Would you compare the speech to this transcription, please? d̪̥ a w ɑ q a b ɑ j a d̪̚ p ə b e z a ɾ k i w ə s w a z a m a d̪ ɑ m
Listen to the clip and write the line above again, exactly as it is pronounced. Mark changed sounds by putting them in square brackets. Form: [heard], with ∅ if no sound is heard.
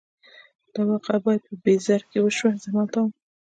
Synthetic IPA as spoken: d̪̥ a w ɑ q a b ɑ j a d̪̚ p ə b e z a ɾ k [e] w ə [ʃ] w a z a m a [t̪] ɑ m